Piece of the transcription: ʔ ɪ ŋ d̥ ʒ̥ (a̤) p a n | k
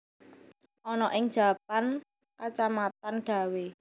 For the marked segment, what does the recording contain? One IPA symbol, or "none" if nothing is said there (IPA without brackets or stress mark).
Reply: a̤